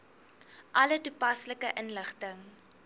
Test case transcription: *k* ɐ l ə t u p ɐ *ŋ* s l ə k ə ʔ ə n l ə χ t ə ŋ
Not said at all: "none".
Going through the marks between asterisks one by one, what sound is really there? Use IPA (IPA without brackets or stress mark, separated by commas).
ʔ, none